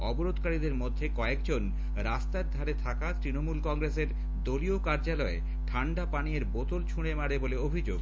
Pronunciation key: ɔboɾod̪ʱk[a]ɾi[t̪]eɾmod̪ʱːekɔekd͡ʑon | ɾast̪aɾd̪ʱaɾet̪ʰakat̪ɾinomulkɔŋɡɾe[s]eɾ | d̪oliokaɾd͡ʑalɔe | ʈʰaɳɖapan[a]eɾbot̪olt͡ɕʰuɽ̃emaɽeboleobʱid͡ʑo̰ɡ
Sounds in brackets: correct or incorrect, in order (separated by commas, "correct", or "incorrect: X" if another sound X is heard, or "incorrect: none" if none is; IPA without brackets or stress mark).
correct, incorrect: d̪, correct, incorrect: i